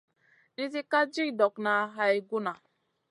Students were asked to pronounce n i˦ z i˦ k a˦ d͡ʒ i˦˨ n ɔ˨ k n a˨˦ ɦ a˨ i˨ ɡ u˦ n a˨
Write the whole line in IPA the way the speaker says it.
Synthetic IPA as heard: n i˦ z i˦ k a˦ d͡ʒ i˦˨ d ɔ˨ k n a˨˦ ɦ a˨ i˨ ɡ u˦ n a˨